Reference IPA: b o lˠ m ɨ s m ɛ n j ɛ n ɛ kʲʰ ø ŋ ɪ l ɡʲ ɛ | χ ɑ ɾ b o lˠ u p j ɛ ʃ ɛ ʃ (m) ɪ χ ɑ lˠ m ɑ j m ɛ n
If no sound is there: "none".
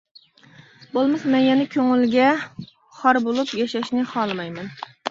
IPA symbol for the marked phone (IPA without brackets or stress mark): n